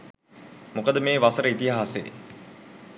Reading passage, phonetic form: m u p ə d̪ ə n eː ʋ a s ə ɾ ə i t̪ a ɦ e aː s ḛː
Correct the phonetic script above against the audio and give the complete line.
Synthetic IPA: m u k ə d̪ ə m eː ʋ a s ə ɾ ə i t̪ i ɦ a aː s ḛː